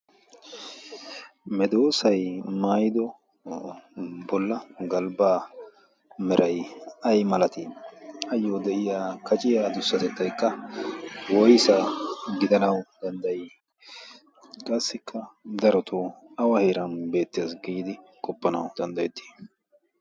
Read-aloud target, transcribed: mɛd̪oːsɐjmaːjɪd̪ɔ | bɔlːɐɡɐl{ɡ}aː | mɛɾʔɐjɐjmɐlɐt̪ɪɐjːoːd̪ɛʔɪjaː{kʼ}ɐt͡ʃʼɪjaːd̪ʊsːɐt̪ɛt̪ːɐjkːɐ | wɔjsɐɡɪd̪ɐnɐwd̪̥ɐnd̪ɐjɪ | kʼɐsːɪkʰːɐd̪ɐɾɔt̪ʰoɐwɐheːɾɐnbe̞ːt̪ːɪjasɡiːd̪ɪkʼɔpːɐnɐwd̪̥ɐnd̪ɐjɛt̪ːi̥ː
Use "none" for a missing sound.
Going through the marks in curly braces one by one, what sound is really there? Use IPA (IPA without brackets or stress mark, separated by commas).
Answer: b, k